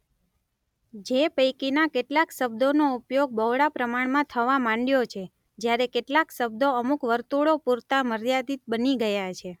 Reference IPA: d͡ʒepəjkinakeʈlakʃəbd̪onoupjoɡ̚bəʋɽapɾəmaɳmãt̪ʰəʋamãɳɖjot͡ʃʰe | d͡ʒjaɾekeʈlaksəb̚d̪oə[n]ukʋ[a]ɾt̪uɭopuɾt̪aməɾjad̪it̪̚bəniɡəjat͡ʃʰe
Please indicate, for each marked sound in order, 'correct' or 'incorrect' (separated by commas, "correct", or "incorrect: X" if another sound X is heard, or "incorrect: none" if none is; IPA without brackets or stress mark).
incorrect: m, incorrect: ə